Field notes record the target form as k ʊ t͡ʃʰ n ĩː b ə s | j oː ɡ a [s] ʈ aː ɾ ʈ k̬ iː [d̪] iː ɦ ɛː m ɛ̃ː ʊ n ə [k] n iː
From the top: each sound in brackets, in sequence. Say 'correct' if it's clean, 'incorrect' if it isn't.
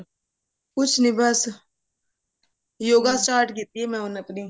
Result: correct, incorrect: t̪, incorrect: p

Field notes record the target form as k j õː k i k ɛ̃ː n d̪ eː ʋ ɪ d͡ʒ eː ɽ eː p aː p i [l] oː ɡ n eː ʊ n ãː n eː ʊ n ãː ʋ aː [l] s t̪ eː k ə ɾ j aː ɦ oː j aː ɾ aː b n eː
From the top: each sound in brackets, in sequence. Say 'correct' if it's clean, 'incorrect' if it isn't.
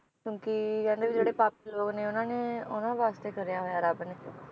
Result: correct, incorrect: none

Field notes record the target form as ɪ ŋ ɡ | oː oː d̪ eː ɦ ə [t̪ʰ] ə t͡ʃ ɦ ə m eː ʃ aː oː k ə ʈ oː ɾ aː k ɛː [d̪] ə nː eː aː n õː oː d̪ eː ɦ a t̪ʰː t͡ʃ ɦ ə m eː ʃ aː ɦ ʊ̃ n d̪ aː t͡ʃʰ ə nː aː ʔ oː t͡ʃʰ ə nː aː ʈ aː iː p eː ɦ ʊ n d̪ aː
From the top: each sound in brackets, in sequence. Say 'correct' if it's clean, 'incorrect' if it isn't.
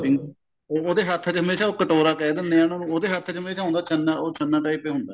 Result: correct, correct

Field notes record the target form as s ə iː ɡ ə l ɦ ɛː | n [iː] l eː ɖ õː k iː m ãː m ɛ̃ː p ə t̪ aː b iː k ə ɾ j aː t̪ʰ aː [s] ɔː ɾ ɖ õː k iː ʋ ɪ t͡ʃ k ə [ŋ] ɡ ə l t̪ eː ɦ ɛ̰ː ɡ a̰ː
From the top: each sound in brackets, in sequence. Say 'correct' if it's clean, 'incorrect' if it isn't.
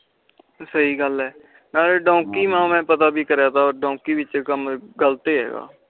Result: incorrect: aː, incorrect: none, incorrect: m

